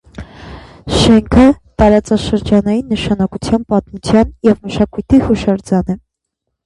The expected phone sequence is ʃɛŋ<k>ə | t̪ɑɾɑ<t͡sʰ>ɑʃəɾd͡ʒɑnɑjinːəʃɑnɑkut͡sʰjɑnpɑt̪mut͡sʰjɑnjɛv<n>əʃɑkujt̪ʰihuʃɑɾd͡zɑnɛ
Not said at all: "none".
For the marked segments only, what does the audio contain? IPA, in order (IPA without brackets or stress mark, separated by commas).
kʰ, t͡s, m